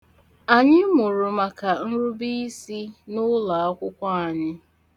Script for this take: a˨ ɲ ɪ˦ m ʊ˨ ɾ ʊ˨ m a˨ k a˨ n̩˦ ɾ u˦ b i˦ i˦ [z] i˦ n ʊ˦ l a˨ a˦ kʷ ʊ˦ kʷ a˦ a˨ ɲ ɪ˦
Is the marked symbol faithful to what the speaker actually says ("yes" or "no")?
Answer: no